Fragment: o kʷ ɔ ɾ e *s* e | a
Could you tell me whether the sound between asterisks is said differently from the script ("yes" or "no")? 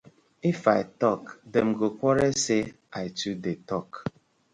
no